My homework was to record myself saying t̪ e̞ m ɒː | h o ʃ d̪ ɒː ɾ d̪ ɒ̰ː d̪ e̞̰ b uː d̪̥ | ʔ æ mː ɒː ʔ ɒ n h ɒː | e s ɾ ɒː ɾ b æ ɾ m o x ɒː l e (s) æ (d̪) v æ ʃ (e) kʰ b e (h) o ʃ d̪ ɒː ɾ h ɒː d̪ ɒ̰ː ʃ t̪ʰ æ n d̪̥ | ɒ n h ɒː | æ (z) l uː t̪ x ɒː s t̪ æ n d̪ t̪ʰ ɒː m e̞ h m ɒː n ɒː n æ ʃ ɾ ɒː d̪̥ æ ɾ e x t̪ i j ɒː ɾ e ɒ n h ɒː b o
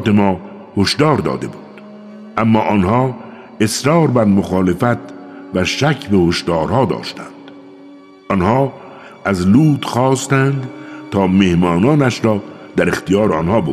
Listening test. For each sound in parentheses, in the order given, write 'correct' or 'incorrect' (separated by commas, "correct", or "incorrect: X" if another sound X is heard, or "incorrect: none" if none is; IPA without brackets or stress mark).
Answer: incorrect: f, incorrect: t̪, incorrect: æ, correct, correct